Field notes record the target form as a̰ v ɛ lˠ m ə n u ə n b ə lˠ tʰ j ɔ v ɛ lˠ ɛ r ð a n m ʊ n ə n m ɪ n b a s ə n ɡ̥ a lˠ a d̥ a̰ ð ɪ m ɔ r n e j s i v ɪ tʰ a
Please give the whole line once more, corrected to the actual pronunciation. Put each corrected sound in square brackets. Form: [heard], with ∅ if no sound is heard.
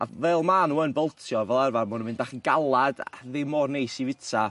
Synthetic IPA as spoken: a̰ v ɛ lˠ m [a] n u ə n b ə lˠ tʰ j ɔ v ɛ lˠ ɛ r [v] a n m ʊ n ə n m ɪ n [d] a [χ] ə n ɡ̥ a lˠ a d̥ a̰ ð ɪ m ɔ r n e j s i v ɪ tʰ a